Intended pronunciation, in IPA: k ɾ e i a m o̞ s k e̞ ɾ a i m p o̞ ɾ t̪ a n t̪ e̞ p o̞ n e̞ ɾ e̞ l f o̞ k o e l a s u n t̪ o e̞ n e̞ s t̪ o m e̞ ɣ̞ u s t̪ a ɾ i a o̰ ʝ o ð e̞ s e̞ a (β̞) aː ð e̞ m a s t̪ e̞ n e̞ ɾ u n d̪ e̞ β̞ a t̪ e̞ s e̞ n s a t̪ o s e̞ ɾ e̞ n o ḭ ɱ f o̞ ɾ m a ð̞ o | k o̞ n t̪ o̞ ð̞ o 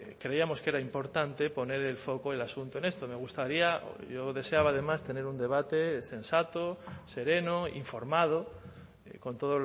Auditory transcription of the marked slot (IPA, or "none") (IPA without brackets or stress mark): β̞